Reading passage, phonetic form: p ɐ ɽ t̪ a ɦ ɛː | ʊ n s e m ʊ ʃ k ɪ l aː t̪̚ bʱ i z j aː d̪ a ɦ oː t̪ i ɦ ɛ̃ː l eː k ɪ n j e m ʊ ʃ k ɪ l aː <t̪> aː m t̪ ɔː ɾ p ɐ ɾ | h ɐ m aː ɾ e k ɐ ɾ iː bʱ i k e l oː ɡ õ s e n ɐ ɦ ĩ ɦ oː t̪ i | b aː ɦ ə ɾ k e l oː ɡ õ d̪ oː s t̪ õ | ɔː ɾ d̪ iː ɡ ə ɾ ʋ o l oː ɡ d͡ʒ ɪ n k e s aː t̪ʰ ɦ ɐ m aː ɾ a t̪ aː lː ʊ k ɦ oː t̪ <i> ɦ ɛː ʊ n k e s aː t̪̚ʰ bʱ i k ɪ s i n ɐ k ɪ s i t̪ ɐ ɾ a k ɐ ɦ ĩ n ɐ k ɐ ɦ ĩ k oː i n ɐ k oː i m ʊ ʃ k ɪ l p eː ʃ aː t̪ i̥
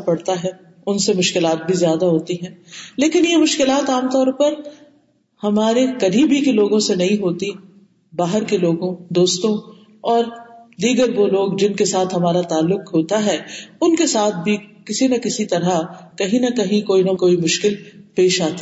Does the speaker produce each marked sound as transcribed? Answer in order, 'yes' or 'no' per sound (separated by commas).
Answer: yes, no